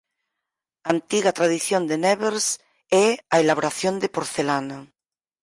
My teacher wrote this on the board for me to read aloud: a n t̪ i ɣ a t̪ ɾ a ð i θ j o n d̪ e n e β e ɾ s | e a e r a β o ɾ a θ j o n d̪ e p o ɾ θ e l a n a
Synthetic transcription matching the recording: a n t̪ i ɣ a t̪ ɾ a ð i θ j o n d̪ e n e β e ɾ s | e a e l a β o ɾ a θ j o n d̪ e p o ɾ θ e l a n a